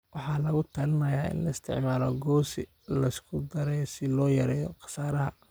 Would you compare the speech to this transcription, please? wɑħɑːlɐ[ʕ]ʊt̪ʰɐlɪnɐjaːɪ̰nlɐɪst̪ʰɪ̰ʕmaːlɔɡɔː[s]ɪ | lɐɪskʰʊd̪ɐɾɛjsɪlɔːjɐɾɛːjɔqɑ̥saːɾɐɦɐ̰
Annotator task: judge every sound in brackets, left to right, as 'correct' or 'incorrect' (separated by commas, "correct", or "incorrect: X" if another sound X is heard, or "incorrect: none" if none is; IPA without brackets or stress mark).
incorrect: ɣ, correct